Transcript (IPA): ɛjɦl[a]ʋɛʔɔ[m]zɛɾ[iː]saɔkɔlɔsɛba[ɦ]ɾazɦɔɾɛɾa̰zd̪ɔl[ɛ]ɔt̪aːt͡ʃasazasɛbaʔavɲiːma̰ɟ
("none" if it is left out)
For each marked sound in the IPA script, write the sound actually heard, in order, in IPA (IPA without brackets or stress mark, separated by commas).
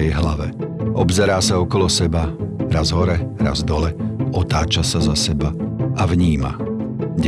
a, b, aː, none, ɛ